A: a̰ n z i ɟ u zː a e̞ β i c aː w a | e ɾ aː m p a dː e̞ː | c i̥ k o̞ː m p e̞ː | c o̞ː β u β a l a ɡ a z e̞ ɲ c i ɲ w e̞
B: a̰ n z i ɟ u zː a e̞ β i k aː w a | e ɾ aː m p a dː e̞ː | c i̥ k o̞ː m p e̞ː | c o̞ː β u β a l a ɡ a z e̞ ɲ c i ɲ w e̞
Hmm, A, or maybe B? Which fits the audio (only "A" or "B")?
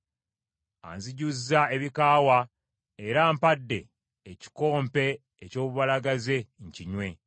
B